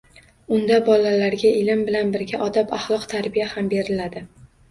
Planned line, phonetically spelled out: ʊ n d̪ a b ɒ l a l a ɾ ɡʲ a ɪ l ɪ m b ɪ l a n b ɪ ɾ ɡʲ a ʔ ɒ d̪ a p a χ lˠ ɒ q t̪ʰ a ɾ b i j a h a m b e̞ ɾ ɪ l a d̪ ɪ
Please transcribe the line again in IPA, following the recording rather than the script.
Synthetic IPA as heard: ʊ n d̪ a b ɒ l a l a ɾ ɡʲ a ɪ l ɪ m b ɪ l a n b ɪ ɾ ɡʲ a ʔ ɒ d̪ a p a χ lˠ ɒ q t̪ʰ a ɾ b i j a h a m b e̞ ɾ ɪ l a d̪ ɪ